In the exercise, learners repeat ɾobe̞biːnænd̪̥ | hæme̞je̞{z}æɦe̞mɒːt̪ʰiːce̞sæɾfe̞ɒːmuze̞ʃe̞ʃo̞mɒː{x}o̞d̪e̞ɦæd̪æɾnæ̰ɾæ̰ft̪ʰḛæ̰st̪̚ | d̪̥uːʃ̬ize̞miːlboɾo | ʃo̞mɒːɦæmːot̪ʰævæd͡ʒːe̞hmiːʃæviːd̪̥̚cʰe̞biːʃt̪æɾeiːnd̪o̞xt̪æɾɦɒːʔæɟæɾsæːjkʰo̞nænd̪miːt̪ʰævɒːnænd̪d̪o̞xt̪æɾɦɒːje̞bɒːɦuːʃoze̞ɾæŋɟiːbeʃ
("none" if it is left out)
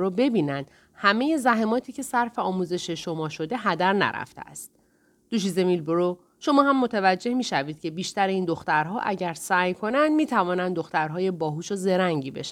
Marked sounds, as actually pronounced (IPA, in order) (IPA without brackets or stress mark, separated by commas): z, ʃ